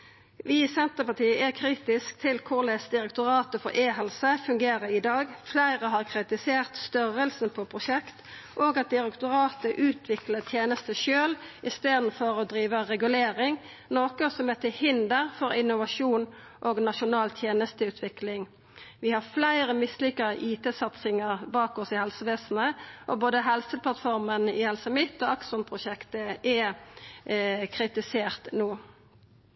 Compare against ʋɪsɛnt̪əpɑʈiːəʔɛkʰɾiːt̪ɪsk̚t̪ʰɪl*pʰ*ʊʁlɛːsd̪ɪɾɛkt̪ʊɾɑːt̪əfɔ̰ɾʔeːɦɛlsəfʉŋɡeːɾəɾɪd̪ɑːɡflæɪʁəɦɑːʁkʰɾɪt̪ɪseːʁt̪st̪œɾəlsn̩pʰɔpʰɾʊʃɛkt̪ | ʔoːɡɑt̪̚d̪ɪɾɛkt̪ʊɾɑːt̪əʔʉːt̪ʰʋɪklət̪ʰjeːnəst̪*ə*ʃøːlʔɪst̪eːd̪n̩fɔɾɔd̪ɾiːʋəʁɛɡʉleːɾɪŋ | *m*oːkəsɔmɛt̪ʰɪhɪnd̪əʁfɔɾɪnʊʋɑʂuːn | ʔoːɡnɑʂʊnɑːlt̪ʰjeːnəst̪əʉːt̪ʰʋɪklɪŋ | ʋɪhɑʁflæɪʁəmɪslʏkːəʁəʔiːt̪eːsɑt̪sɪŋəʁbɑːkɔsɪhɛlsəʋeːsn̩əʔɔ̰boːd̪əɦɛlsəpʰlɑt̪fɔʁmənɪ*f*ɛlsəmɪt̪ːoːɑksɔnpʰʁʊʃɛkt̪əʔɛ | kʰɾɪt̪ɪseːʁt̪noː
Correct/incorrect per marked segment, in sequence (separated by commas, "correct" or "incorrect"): incorrect, correct, incorrect, incorrect